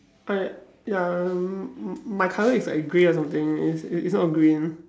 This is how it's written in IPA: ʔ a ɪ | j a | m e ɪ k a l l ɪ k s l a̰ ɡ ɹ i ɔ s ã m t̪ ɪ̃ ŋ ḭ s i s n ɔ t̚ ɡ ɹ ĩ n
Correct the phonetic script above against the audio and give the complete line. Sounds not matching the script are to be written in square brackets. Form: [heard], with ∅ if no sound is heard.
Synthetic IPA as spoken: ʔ a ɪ | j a | m [a] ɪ [kʰ] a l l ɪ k s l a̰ ɡ ɹ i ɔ s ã m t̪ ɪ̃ ŋ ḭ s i s n ɔ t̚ ɡ ɹ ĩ n